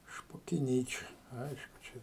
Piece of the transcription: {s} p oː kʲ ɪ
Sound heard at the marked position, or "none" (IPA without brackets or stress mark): ʃ